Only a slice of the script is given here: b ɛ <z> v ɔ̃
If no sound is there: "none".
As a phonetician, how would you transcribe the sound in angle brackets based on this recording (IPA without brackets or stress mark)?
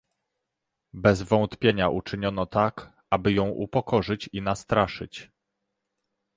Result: z